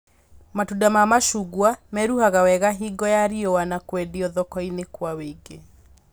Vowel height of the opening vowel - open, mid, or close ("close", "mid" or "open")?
open